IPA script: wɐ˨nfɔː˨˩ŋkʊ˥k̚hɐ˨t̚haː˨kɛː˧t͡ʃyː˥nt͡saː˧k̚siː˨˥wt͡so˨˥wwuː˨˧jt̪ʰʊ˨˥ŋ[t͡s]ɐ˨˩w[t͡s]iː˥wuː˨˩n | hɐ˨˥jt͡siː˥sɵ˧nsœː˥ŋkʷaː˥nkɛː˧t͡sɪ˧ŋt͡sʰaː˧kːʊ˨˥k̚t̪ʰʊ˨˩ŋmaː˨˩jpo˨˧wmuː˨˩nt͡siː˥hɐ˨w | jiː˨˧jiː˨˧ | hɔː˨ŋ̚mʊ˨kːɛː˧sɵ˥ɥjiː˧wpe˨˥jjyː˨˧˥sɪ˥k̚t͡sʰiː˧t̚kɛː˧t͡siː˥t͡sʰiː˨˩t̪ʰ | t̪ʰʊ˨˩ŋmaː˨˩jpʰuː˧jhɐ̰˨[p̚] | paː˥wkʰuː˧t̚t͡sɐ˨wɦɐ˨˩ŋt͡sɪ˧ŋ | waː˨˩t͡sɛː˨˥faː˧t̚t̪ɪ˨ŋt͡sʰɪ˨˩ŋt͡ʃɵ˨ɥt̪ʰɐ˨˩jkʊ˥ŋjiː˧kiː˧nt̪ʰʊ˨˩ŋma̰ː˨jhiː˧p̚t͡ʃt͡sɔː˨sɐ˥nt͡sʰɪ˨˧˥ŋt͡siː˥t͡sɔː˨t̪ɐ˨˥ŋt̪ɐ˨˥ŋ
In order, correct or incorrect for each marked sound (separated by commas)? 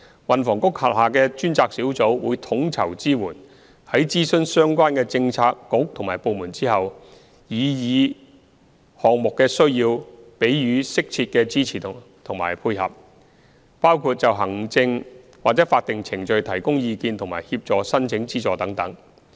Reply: incorrect, correct, correct